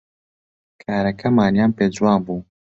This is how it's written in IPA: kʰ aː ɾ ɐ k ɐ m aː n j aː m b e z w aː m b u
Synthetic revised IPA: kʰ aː ɾ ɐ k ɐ m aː n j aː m p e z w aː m b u

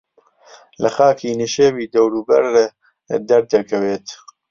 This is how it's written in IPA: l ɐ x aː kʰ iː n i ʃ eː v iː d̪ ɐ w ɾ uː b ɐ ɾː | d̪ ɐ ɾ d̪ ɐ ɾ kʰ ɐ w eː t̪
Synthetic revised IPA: l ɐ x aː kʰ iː n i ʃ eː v iː d̪ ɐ w ɾ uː b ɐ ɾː | d̪ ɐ ɾ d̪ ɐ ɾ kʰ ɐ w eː t̪

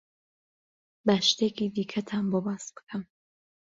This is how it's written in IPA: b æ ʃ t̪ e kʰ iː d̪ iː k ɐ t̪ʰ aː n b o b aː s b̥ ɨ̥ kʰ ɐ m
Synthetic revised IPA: b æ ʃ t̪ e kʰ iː d̪ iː kʰ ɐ t̪ʰ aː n b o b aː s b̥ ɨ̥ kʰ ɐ m

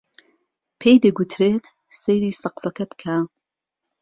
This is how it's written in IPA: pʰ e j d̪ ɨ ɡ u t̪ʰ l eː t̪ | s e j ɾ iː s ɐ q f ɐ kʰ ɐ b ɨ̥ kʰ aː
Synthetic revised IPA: pʰ e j d̪ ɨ ɡ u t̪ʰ ɾ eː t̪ | s e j ɾ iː s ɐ q f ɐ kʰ ɐ b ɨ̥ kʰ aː

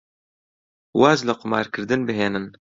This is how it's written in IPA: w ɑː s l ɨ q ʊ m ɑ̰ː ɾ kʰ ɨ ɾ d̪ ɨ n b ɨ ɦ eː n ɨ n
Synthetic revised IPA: w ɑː z l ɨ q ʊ m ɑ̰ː ɾ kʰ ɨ ɾ d̪ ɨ n b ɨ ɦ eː n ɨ n

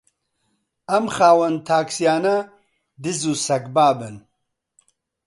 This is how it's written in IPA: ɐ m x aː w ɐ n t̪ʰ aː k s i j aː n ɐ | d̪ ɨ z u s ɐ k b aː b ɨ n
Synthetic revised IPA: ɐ m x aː w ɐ n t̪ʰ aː k s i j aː n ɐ | d̪ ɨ z u s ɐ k b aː b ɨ n

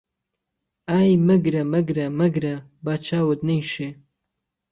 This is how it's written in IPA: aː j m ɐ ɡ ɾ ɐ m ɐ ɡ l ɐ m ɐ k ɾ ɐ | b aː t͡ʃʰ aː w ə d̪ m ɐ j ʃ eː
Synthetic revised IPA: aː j m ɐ ɡ ɾ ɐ m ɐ ɡ ɾ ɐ m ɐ ɡ ɾ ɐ | b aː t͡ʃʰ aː w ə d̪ n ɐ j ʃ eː

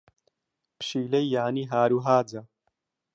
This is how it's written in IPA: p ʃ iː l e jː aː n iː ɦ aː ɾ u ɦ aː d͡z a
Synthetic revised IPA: p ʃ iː l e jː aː n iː ɦ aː ɾ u ɦ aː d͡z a

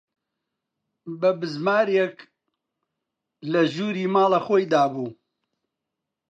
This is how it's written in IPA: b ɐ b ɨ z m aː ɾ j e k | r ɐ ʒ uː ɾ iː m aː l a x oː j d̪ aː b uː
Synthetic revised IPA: b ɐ b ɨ z m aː ɾ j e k | l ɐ ʒ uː ɾ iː m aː l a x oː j d̪ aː b uː

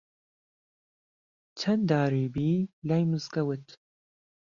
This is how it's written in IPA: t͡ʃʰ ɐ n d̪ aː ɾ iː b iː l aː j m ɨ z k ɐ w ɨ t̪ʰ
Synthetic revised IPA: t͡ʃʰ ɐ n d̪ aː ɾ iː b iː l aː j m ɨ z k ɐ w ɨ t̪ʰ

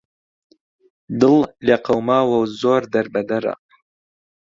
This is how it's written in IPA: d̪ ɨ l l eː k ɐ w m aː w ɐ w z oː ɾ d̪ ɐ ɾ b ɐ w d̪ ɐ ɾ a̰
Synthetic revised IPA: d̪ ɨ l l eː q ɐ w m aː w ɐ w z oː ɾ d̪ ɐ ɾ b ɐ d̪ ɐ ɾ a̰

